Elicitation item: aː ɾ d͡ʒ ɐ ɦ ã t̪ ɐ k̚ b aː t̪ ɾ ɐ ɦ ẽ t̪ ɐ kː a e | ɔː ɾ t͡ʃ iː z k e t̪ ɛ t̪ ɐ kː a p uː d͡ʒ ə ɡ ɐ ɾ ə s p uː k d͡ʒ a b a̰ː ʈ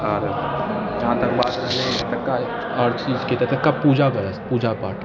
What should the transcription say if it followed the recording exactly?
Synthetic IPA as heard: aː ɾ d͡ʒ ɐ ɦ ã t̪ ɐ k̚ b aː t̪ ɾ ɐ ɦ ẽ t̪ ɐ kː a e | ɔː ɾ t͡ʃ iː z k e t̪ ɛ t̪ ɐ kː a p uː d͡ʒ a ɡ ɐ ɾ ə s p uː d͡ʒ a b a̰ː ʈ